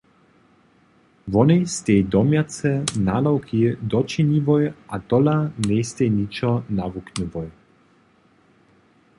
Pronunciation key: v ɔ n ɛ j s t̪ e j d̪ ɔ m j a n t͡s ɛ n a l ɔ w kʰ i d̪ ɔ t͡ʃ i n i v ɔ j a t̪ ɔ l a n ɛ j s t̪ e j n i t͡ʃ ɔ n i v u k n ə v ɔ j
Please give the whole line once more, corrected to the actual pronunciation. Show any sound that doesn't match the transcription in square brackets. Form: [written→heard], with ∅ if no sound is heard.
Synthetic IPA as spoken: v ɔ n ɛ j s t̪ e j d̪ ɔ m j a [n→∅] t͡s ɛ n a l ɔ w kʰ i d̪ ɔ t͡ʃ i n i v ɔ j a t̪ ɔ l a n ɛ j s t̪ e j n i t͡ʃ ɔ n [i→a] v u k n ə v ɔ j